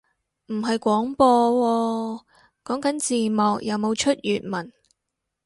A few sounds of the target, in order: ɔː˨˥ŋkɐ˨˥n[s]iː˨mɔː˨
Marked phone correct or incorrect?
incorrect